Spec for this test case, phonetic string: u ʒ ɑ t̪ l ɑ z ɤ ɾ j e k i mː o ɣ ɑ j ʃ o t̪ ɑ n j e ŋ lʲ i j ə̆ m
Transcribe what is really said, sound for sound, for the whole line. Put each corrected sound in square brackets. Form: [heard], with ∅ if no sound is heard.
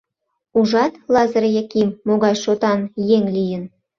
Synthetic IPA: u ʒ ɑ t̪ l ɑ z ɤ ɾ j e k i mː o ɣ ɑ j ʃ o t̪ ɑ n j e ŋ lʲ i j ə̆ [n]